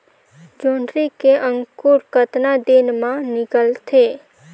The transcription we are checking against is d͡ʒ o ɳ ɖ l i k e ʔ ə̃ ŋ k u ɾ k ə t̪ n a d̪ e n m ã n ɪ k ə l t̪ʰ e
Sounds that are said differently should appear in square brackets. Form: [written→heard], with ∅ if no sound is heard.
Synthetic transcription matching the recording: d͡ʒ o ɳ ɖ [l→ɾ] i k e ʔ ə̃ ŋ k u ɾ k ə t̪ n a d̪ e n m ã n ɪ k ə l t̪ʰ e